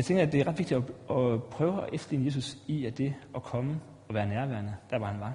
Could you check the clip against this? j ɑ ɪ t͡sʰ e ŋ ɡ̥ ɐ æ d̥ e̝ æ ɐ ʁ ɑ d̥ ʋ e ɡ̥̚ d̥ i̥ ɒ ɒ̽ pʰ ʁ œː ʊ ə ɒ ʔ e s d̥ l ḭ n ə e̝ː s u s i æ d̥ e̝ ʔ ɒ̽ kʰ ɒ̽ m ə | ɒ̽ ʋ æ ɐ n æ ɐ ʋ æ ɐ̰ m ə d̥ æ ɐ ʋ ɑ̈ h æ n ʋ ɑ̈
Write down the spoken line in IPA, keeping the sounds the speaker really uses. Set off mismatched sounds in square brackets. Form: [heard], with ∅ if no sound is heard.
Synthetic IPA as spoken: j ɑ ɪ t͡sʰ e ŋ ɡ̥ ɐ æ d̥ e̝ æ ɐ ʁ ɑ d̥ ʋ e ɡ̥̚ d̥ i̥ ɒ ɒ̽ pʰ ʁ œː ʊ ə ɒ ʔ e [f] d̥ l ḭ n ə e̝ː s u s i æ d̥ e̝ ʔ ɒ̽ kʰ ɒ̽ m ə | ɒ̽ ʋ [æː] ɐ n æ ɐ ʋ æ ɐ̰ [n] ə d̥ æ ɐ ʋ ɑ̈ h æ n ʋ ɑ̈